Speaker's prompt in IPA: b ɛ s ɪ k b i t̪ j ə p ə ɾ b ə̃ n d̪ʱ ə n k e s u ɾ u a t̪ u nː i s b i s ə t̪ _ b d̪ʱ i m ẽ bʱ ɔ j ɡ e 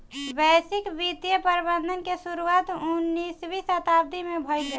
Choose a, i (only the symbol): a